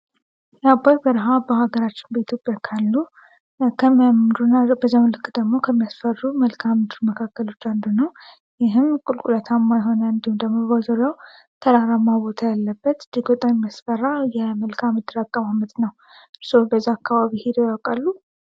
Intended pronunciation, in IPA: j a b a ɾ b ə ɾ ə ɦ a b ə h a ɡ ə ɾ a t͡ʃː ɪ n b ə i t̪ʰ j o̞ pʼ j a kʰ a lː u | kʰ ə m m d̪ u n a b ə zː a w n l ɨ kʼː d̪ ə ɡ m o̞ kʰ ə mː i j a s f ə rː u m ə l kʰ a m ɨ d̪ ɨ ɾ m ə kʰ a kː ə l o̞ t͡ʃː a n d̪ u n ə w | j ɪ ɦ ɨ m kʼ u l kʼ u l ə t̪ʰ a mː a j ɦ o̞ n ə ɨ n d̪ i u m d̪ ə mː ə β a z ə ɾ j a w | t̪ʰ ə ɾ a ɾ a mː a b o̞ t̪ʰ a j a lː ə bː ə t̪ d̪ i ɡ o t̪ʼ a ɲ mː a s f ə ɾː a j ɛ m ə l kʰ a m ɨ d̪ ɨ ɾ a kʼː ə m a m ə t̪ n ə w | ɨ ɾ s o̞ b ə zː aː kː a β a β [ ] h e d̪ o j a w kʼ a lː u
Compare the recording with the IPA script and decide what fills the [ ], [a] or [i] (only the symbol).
i